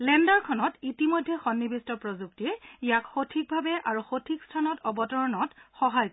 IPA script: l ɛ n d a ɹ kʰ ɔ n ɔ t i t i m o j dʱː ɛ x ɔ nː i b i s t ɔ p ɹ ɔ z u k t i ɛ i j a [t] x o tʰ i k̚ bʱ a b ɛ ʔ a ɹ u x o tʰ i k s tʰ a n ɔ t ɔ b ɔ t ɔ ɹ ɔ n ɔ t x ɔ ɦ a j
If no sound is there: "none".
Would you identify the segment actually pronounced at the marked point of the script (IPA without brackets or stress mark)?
k